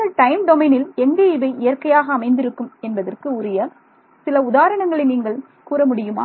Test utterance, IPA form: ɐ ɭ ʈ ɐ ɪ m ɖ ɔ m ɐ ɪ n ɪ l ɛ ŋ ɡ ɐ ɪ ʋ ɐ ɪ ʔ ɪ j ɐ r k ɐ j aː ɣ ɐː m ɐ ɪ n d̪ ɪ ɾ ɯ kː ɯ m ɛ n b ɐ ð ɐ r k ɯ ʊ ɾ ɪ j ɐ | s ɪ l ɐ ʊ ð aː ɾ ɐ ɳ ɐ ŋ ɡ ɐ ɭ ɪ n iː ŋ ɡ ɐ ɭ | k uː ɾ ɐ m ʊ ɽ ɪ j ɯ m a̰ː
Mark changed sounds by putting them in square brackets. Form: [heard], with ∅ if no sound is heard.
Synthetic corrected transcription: ɐ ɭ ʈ ɐ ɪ m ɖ ɔ m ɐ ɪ n ɪ l ɛ ŋ ɡ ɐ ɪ ʋ ɐ ɪ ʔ ɪ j ɐ r k ɐ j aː ɣ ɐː m ɐ ɪ n d̪ ɪ ɾ ɯ kː ɯ m ɛ n b ɐ ð ɐ r k ɯ ʊ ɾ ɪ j ɐ | s ɪ l ɐ ʊ ð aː ɾ ɐ ɳ ɐ ŋ ɡ ɐ ɭ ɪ n iː ŋ ɡ ɐ ɭ | k uː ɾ ɐ m ʊ ɽ ɪ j ɯ m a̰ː